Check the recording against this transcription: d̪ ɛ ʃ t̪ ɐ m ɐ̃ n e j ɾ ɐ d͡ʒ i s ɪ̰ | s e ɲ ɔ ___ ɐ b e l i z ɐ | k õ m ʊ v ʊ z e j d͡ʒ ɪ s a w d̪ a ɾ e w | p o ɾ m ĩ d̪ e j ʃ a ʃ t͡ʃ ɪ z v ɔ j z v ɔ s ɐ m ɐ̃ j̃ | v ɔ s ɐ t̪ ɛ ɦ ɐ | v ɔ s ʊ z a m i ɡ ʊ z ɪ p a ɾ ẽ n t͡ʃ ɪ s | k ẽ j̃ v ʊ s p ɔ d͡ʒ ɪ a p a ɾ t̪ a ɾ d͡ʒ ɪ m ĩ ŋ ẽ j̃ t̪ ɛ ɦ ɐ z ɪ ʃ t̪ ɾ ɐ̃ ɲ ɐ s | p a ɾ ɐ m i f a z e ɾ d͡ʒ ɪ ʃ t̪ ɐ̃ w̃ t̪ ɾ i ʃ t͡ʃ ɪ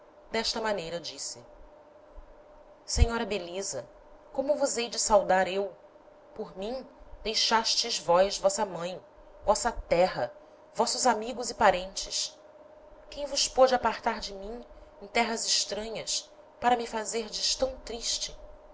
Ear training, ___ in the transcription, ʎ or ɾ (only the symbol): ɾ